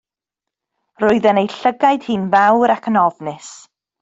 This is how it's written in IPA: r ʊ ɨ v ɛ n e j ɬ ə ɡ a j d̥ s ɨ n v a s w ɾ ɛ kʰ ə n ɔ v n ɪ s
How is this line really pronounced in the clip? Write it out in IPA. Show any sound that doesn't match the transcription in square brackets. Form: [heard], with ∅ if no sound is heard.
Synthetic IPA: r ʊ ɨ [ð] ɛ n e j ɬ ə ɡ a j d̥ [h] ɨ n v a [∅] w ɾ [a] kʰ ə n ɔ v n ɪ s